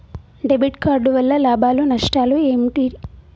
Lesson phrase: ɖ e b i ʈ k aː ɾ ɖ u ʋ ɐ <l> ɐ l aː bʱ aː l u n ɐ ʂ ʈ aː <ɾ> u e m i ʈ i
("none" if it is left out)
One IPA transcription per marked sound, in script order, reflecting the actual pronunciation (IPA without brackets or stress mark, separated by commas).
lː, l